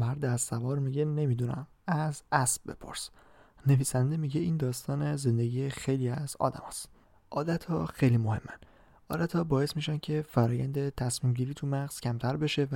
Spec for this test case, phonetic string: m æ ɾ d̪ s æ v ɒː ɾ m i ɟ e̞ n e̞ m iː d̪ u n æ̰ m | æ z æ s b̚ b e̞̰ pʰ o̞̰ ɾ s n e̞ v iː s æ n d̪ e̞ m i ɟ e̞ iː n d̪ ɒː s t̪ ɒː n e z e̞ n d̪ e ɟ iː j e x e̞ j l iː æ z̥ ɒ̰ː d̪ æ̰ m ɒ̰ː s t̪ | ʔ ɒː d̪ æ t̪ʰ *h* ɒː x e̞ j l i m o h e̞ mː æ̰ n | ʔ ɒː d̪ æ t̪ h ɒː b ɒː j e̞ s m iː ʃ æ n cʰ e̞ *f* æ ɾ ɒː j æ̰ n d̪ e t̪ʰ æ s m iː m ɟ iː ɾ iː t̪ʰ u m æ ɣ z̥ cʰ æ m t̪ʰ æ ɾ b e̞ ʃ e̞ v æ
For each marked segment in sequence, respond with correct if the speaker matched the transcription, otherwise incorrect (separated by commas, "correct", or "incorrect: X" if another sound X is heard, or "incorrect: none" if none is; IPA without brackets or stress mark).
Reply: correct, correct